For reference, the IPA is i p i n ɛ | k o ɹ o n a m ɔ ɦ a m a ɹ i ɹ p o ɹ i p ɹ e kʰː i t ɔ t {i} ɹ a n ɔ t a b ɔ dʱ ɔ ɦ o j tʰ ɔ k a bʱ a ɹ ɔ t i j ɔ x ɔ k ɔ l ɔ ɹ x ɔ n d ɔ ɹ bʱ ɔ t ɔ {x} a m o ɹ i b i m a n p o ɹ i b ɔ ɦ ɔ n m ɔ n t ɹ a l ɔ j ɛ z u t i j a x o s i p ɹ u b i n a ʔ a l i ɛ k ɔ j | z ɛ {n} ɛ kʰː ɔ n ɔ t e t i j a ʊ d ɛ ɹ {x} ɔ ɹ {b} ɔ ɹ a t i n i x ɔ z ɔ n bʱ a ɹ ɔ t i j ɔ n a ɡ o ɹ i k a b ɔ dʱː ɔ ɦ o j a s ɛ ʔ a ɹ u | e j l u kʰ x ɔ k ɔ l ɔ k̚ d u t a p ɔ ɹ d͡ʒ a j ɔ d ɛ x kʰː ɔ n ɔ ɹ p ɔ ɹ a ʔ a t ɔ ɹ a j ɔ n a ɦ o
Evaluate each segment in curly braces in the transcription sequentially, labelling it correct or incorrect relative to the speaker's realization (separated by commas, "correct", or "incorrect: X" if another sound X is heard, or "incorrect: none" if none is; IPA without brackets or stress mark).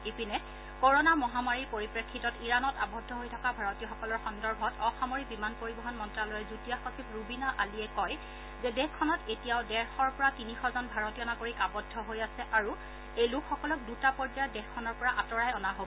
correct, correct, incorrect: d, correct, incorrect: p